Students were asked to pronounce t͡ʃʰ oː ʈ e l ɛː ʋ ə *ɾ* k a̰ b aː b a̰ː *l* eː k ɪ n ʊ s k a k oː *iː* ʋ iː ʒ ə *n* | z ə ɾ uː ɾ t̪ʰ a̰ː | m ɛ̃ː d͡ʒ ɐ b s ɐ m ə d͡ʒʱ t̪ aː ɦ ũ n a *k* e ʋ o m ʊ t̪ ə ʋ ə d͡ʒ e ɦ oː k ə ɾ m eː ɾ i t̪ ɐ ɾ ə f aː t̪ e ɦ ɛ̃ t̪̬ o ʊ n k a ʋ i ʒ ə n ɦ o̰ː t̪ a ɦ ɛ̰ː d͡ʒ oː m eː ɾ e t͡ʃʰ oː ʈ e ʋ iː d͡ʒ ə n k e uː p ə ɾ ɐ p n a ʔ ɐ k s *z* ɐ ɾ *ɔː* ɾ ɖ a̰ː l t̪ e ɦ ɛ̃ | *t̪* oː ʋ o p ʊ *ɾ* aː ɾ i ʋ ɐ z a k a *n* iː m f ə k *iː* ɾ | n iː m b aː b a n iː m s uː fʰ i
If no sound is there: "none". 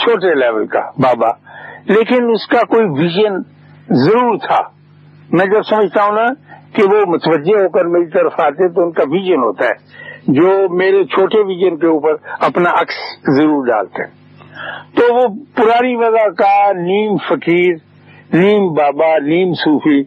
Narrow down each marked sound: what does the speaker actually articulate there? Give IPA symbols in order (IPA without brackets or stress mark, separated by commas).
l, l, i, n, k, z, uː, t̪, ɾ, n, iː